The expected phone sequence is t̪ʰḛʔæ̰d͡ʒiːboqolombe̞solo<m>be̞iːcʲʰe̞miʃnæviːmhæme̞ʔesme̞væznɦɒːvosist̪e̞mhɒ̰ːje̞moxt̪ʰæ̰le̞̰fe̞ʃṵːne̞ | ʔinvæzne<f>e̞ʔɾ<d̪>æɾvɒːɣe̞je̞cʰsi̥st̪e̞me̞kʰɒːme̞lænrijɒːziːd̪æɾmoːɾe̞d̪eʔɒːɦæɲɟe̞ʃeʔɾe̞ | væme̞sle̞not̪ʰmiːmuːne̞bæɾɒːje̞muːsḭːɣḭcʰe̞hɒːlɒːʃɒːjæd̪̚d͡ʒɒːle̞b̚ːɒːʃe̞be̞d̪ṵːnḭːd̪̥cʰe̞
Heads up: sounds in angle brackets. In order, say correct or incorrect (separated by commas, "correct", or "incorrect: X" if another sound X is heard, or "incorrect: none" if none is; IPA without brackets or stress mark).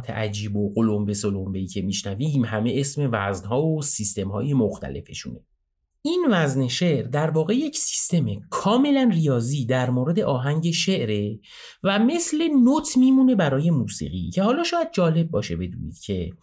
correct, incorrect: ʃ, correct